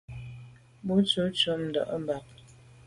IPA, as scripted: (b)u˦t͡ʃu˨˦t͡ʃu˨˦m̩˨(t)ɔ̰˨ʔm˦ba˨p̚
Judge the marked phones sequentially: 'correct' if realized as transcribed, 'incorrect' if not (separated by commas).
correct, incorrect